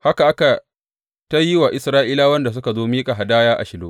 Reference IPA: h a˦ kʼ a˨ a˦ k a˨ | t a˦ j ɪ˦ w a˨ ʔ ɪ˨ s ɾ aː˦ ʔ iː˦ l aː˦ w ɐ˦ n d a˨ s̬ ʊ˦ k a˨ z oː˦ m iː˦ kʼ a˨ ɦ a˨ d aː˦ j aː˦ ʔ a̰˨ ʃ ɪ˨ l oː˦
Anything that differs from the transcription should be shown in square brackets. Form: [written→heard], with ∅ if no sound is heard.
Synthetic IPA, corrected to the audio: h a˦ [kʼ→k] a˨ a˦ k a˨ | t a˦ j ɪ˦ w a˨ ʔ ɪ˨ s ɾ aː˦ ʔ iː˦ l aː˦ w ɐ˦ n d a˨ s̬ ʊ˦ k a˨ z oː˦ m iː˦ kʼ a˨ ɦ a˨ d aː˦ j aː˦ ʔ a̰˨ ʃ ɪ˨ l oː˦